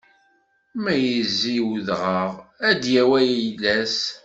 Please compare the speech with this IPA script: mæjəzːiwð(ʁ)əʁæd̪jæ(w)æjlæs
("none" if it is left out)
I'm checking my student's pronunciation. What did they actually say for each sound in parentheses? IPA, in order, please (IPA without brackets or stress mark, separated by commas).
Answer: ʁ, w